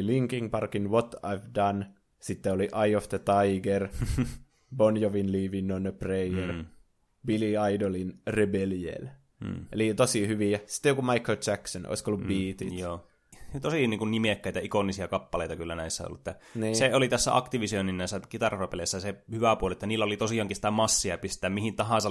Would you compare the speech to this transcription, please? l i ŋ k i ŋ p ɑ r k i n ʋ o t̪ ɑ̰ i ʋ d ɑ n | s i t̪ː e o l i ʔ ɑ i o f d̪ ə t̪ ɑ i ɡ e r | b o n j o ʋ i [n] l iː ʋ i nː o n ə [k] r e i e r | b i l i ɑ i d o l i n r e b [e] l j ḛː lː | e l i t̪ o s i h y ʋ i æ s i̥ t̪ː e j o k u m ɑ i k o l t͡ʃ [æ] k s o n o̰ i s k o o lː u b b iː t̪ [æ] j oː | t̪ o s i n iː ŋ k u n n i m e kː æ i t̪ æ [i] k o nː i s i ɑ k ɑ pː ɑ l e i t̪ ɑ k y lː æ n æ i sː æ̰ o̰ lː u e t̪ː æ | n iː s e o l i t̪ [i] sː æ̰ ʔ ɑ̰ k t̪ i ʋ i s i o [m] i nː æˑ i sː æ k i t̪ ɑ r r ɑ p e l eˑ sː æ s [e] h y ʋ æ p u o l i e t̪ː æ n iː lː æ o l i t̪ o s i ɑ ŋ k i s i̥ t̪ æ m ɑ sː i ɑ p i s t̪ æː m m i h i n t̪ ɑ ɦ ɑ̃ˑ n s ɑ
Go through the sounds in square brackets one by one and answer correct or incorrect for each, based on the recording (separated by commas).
correct, incorrect, correct, correct, incorrect, correct, incorrect, incorrect, correct